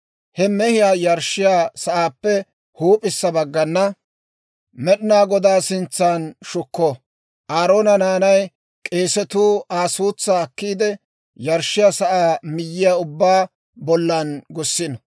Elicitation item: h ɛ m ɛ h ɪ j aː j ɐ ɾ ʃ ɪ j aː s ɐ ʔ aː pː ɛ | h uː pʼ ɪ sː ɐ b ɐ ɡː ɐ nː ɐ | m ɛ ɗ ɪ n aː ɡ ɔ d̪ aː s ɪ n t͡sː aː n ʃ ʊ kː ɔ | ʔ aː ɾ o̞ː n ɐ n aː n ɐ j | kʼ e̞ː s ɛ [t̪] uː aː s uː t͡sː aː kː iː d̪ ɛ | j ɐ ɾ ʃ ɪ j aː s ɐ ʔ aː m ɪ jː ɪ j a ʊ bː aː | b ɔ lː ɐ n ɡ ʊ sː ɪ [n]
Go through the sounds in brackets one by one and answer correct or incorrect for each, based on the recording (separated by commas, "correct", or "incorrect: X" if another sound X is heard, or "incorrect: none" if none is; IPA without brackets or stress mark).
correct, correct